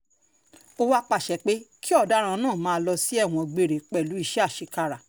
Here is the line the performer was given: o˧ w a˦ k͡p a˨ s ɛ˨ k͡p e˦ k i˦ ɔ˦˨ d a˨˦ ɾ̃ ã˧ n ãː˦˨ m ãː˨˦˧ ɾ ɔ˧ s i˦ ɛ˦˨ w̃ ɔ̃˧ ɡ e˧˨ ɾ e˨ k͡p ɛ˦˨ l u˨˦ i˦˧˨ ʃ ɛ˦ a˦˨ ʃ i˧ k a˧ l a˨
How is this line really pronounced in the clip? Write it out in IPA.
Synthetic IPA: o˧ w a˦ k͡p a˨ ʃ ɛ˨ k͡p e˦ k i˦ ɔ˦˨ d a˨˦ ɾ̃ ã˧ n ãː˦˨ m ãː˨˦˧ l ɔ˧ s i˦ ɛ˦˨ w̃ ɔ̃˧ ɡ͡b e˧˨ ɾ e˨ k͡p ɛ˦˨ l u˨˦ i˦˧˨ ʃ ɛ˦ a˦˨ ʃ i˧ k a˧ ɾ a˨